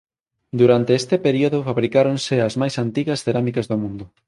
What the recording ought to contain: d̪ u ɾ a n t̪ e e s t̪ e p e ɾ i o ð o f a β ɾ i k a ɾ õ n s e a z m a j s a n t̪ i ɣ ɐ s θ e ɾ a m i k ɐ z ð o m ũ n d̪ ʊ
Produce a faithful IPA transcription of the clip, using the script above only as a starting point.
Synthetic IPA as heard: d̪ u ɾ a n t̪ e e s t̪ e p e ɾ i o ð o f a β ɾ i k a ɾ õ n s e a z m a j s a n t̪ i ɣ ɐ s θ e ɾ a m i k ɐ z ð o m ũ n d̪ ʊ